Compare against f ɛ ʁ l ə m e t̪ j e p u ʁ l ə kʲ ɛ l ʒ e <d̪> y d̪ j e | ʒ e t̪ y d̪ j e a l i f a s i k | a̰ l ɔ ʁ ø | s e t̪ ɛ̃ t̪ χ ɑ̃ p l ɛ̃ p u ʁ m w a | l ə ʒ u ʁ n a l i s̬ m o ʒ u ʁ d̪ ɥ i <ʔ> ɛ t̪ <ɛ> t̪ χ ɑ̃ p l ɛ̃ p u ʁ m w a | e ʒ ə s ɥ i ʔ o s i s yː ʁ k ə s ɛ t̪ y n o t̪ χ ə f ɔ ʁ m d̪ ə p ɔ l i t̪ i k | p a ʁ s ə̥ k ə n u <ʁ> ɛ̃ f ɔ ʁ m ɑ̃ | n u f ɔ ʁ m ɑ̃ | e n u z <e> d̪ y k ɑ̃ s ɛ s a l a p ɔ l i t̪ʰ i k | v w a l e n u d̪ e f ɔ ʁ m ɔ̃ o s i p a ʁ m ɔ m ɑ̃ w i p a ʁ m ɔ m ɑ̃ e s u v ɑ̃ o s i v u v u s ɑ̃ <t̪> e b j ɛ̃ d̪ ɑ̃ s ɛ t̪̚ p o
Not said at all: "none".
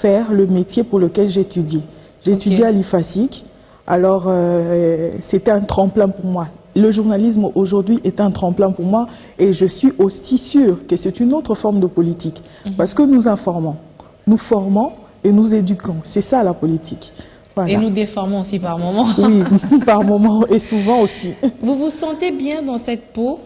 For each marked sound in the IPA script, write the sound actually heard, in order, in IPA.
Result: t̪, ʔ, ɛ̃, z, e, t̪

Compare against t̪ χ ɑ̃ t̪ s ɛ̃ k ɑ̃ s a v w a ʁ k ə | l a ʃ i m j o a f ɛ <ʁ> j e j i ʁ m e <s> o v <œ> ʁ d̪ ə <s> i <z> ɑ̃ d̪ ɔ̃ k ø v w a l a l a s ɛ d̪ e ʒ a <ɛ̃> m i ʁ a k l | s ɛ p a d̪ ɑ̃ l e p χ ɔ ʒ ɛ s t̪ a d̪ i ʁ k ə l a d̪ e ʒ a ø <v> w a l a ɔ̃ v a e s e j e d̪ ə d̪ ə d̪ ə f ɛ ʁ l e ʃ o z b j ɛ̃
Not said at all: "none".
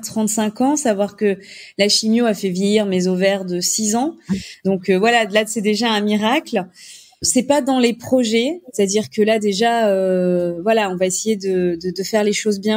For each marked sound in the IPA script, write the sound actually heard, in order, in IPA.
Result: v, z, ɛ, s, z, ɛ̃, v

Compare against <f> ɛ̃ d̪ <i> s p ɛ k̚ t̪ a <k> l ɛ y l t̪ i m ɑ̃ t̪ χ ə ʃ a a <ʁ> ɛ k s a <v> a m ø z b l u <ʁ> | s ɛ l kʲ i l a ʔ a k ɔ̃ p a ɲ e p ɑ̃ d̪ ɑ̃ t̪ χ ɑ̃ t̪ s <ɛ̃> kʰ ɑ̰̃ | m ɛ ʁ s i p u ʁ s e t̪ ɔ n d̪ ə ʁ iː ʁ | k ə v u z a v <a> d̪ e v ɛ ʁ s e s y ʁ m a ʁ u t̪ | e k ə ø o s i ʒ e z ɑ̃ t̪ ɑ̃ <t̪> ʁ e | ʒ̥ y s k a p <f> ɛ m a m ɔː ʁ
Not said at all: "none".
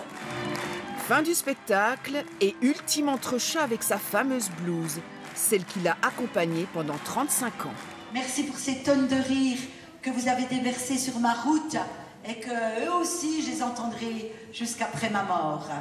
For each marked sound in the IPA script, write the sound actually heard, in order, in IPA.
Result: f, y, k, v, f, z, ɛ̃, e, d̪, χ

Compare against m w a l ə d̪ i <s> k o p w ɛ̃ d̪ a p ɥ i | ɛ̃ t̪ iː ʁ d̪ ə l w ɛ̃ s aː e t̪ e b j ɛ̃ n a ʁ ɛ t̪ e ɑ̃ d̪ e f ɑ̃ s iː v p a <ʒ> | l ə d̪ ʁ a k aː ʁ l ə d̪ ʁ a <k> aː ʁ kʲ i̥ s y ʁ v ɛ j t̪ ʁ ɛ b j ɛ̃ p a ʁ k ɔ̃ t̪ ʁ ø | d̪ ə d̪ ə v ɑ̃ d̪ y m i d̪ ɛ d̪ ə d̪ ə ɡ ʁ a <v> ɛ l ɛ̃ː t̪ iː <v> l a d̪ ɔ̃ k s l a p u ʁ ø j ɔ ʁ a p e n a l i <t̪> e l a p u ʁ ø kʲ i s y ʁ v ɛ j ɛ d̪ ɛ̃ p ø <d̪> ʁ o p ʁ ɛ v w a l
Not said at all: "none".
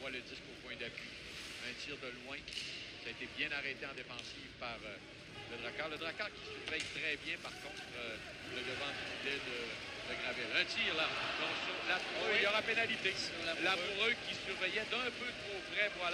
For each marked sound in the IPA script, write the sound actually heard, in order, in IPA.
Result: s, ʁ, k, v, ʁ, t̪, t̪

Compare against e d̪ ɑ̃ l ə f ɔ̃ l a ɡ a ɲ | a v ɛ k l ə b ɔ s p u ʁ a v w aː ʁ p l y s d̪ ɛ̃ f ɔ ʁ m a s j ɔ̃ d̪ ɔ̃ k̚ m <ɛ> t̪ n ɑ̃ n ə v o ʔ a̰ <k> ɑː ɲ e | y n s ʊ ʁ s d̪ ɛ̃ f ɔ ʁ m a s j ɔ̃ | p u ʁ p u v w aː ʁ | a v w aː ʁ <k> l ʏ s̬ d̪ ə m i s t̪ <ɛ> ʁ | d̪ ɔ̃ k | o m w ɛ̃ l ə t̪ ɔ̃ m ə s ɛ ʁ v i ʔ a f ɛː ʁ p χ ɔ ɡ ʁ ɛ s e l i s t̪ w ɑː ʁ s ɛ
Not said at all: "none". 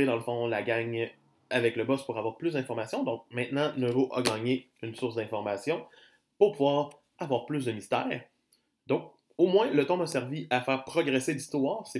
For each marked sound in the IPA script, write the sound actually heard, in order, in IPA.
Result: ɛ̃, ɡ, p, ɛː

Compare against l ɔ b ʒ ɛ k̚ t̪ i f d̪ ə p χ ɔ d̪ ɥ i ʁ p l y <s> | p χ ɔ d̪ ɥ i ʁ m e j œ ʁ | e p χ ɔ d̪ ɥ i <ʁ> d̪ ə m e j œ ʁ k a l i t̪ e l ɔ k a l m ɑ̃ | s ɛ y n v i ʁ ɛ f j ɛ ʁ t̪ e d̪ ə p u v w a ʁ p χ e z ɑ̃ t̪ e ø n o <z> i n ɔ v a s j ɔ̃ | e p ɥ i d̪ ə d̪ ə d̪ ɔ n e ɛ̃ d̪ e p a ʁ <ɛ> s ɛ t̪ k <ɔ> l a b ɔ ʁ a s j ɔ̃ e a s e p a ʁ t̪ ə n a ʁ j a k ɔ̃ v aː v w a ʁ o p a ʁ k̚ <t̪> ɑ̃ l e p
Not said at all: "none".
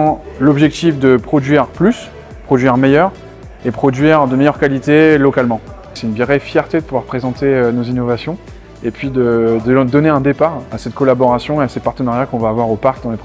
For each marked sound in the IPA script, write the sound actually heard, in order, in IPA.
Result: s, ʁ, z, a, ɔ, d̪

